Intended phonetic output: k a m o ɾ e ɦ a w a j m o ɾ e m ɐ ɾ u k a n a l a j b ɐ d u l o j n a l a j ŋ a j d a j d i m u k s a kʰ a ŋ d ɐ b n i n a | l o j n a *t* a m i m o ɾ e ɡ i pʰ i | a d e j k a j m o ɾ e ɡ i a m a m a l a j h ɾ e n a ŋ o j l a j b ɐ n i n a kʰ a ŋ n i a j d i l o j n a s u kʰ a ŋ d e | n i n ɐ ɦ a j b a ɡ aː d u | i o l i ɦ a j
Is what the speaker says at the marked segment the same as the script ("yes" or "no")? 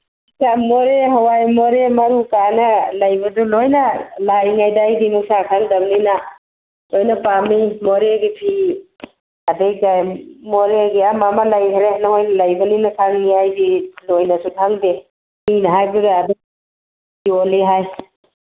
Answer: no